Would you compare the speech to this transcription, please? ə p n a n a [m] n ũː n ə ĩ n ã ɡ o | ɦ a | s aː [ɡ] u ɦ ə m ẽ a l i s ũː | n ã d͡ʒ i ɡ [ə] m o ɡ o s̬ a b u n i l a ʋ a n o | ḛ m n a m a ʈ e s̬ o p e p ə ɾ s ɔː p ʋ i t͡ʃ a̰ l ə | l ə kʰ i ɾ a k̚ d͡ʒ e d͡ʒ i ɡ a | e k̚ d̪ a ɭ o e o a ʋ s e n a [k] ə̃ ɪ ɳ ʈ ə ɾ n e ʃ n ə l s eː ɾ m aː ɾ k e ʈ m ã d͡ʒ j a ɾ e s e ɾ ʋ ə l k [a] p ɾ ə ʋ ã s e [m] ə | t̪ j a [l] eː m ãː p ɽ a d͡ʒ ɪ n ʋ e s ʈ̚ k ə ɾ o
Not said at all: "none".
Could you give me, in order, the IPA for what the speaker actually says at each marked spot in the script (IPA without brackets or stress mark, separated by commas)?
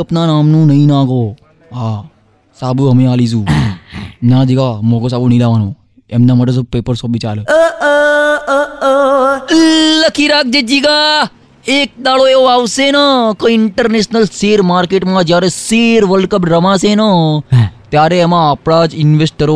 m, b, a, k, ə, n, ɾ